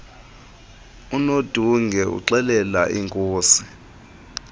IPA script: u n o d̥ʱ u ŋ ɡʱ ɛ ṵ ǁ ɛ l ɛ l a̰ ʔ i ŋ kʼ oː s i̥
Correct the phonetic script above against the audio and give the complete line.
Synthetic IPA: u n o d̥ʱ u ŋ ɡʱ ɛ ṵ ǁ ɛ l ɛ l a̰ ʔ i ŋ kʼ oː s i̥